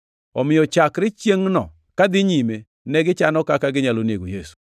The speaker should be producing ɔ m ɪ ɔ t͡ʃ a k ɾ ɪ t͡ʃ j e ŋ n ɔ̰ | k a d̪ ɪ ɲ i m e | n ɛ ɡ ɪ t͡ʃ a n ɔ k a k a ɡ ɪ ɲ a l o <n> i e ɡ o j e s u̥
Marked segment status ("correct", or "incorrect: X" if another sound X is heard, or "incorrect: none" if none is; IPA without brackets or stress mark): correct